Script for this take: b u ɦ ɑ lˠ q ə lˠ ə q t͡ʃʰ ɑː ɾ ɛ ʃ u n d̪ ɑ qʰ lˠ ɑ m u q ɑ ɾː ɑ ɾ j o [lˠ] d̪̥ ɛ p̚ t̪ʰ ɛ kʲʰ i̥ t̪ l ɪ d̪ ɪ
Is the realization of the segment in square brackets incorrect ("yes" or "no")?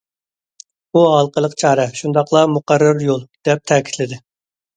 no